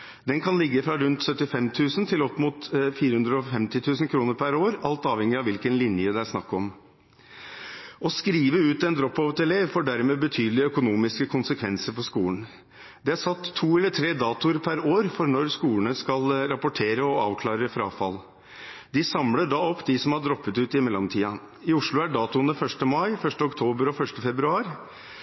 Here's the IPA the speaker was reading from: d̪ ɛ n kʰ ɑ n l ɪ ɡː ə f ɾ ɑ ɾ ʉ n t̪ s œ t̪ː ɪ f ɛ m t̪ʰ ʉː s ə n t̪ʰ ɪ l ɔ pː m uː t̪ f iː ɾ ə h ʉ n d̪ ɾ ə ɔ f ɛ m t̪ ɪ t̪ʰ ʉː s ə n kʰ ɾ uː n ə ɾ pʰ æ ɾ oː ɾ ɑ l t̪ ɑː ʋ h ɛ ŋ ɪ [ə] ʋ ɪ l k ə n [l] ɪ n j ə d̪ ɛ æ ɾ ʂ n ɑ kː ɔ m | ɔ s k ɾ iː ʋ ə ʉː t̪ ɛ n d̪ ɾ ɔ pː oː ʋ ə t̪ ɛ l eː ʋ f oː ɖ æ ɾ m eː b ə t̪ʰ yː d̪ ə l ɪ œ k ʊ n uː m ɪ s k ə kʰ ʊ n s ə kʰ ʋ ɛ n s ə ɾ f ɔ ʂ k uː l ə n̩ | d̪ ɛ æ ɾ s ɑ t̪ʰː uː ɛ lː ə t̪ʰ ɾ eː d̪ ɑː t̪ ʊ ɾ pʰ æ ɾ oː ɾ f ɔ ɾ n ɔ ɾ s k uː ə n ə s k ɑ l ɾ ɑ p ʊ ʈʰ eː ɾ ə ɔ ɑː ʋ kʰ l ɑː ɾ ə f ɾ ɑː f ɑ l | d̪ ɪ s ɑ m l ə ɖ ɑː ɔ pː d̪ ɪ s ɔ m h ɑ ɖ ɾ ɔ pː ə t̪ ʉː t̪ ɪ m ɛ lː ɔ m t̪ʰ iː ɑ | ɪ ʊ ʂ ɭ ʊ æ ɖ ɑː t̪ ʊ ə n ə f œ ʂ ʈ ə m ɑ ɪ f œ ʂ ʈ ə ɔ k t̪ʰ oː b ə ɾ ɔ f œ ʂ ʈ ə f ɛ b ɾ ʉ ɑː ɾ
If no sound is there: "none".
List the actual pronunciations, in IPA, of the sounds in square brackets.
ɑ, l

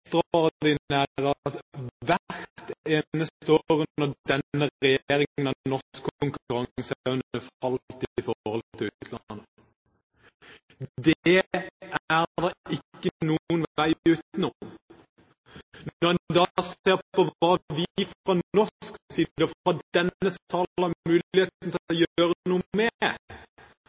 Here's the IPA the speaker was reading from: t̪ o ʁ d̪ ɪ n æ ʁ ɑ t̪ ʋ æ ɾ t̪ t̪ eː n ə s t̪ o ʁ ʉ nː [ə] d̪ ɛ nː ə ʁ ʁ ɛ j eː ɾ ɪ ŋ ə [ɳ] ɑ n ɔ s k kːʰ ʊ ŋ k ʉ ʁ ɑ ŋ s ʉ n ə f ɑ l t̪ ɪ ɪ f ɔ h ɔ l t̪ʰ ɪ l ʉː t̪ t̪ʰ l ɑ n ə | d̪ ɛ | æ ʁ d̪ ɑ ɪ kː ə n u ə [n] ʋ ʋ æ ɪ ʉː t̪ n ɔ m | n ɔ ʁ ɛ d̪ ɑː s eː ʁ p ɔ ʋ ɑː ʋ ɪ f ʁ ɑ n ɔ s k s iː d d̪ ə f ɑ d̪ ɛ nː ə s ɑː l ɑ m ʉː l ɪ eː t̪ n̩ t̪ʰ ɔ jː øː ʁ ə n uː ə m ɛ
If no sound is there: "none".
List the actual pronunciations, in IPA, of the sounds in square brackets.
ə, n, n

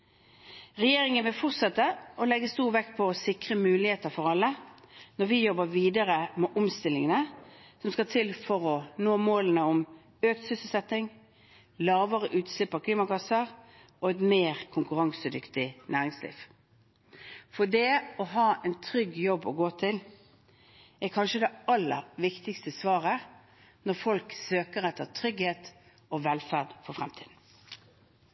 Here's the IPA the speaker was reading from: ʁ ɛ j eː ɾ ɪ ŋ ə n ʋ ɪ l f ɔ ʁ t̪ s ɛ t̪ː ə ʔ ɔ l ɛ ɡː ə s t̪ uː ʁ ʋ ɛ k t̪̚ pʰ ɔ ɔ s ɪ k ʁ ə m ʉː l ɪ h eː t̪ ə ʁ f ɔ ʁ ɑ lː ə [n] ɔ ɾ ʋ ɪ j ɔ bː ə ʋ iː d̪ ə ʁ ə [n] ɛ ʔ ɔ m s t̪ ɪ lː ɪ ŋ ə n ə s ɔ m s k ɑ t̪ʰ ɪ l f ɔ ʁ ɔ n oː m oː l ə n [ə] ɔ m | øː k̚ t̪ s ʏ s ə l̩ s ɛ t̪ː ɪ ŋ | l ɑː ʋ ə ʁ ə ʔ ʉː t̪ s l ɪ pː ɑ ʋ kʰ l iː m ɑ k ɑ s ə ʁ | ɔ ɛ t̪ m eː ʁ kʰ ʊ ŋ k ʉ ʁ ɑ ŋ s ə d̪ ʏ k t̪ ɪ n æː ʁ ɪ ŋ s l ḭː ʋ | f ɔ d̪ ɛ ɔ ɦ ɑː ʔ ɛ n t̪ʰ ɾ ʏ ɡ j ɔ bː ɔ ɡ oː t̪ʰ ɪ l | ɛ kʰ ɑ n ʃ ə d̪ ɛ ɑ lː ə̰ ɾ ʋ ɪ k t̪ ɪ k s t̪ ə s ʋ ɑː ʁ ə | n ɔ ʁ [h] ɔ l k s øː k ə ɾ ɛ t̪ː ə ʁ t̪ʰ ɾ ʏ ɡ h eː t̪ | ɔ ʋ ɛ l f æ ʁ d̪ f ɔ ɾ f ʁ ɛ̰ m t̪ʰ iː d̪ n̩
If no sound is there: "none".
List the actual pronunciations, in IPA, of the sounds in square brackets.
n, m, ə, f

